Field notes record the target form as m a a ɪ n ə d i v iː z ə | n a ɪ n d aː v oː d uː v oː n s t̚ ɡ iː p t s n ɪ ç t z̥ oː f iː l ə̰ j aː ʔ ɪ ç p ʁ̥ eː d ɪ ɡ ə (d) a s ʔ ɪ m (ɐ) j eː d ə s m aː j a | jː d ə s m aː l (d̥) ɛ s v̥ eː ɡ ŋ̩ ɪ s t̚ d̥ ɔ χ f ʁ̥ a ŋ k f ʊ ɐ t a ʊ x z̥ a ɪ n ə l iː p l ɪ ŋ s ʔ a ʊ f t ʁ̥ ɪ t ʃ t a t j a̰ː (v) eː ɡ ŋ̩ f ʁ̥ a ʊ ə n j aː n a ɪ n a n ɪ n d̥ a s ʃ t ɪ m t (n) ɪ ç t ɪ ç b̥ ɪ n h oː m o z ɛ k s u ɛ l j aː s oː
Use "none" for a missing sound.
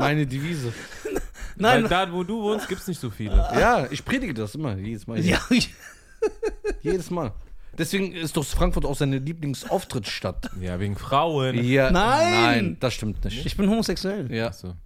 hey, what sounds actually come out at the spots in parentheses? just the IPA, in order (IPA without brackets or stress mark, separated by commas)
d, ɐ, d̥, v, n